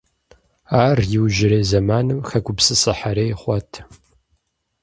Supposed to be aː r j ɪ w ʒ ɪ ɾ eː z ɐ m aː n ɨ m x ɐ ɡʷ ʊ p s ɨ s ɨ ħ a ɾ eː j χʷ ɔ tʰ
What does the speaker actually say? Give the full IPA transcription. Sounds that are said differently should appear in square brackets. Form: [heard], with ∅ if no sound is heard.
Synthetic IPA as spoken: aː r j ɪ w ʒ ɪ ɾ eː z ɐ m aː n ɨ m x ɐ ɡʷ ʊ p s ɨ s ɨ ħ a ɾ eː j χʷ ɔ tʰ

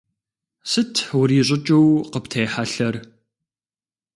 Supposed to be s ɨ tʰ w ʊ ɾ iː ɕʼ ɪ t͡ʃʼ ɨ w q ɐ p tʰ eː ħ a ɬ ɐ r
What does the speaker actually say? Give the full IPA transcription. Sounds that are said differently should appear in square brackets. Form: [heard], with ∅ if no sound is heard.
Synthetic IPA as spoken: s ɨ tʰ w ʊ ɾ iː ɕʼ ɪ t͡ʃʼ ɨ w q [ə] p tʰ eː ħ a ɬ ɐ r

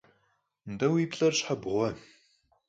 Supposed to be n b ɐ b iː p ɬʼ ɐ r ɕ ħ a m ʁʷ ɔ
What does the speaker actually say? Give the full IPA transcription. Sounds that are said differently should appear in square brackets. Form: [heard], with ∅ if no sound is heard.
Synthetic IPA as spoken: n [d] ɐ [w] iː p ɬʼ ɐ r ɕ ħ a [b] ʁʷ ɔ

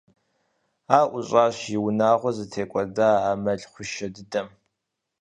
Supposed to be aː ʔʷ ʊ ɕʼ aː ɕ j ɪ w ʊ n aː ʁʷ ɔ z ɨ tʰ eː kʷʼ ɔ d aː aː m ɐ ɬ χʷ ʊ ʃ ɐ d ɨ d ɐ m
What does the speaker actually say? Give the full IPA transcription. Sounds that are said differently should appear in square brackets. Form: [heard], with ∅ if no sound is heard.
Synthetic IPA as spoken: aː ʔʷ ʊ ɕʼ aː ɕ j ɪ w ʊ n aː ʁʷ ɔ z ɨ tʰ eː kʷʼ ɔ d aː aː m ɐ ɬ χʷ ʊ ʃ ɐ d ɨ d ɐ m

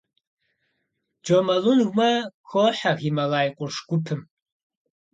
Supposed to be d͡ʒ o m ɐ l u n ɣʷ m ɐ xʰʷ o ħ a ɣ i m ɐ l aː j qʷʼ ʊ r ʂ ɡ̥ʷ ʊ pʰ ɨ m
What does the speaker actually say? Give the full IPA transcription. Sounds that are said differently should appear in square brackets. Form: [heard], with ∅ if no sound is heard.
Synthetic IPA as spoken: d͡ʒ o m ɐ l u n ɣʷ m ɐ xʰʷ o ħ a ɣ i m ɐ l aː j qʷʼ ʊ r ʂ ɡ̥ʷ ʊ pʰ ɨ m

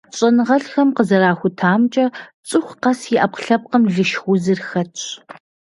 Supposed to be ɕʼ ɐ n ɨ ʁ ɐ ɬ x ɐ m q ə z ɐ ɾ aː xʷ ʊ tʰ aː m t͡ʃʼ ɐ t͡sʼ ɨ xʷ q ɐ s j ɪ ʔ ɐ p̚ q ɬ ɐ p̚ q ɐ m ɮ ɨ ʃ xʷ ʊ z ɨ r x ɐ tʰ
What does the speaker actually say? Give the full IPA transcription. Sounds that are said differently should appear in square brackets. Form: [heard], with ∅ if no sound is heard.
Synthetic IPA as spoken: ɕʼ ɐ n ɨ ʁ ɐ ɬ x ɐ m q ə z ɐ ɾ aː xʷ ʊ tʰ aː m t͡ʃʼ ɐ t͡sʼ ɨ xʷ q ɐ s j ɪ ʔ ɐ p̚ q ɬ ɐ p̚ q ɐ m ɮ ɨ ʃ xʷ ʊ z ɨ r x ɐ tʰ

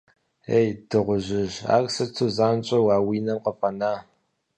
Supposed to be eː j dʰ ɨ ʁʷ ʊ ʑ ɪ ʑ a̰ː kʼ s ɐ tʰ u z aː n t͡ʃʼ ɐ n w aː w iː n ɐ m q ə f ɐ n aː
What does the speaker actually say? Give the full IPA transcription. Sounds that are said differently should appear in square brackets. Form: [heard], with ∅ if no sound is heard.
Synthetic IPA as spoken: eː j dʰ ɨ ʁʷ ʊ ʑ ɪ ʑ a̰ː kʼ s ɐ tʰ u z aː n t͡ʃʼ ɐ [∅] w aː w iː n ɐ m q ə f ɐ n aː

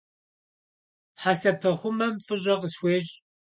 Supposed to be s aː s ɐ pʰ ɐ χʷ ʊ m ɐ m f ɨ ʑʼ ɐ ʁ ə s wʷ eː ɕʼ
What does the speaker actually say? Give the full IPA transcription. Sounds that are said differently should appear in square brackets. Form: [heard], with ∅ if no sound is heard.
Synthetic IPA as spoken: [ħ] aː s ɐ pʰ ɐ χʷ ʊ m ɐ m f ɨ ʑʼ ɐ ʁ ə s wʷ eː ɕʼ

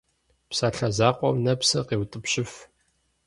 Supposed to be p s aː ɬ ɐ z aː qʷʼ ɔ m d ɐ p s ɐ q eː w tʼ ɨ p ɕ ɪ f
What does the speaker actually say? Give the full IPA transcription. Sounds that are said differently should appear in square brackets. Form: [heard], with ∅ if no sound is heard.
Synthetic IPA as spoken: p s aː ɬ ɐ z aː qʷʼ ɔ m [n] ɐ p s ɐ q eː w tʼ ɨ p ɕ ɪ f

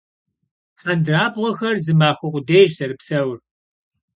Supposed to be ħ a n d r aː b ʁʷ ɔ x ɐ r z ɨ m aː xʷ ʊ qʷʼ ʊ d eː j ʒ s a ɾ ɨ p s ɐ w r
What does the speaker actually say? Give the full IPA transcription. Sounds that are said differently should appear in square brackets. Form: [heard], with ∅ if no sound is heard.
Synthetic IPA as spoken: ħ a n d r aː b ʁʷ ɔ x ɐ r z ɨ m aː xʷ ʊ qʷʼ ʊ d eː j ʒ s [ɐ] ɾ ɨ p s ɐ w r

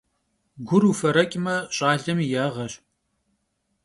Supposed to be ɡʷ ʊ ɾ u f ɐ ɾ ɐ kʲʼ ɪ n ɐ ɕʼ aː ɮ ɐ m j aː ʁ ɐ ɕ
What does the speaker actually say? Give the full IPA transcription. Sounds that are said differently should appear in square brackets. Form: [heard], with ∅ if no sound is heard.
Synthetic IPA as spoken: ɡʷ ʊ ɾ u f ɐ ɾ ɐ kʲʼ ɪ [m] ɐ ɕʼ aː ɮ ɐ m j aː ʁ ɐ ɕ

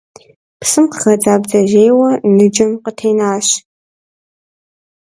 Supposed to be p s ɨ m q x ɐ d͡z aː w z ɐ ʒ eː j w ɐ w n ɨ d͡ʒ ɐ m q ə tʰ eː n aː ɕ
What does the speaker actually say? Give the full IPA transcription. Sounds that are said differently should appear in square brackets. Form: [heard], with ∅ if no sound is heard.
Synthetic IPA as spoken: p s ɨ m q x ɐ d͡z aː [b] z ɐ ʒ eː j w ɐ [∅] n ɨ d͡ʒ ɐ m q ə tʰ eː n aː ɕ

